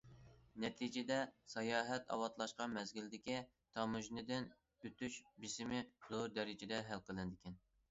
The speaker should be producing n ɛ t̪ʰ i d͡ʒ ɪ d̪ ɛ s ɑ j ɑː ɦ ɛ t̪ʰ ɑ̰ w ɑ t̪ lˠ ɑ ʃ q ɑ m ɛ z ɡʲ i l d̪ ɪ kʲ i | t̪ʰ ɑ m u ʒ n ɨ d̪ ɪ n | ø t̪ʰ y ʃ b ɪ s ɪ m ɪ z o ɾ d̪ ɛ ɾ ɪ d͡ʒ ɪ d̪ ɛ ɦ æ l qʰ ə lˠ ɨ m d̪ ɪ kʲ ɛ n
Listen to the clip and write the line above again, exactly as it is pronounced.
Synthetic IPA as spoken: n ɛ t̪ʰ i d͡ʒ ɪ d̪ ɛ s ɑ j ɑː ɦ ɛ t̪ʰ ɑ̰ w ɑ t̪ lˠ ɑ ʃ q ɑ m ɛ z ɡʲ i l d̪ ɪ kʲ i | t̪ʰ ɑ m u ʒ n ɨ d̪ ɪ n | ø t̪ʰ y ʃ b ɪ s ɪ m ɪ z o ɾ d̪ ɛ ɾ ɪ d͡ʒ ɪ d̪ ɛ ɦ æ l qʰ ə lˠ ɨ n d̪ ɪ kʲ ɛ n